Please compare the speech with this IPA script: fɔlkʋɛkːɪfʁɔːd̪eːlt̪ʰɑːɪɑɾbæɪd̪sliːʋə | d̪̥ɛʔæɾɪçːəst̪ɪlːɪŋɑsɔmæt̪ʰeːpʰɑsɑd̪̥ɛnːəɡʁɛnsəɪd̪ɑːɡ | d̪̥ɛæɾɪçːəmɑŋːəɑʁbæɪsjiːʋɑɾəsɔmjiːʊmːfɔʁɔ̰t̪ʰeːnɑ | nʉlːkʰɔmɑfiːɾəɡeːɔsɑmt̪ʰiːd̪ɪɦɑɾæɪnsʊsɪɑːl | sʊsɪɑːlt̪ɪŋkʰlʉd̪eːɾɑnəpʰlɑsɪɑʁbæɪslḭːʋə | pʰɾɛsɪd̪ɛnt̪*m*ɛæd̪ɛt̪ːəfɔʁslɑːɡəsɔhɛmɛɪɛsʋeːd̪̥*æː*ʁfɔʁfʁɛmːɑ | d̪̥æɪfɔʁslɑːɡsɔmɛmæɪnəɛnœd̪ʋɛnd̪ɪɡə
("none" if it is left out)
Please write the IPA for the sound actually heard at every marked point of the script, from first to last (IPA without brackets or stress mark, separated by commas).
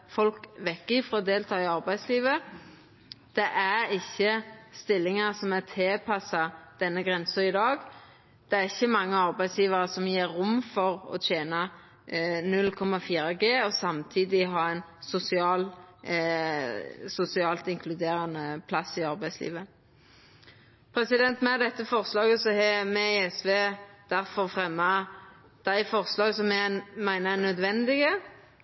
m, æ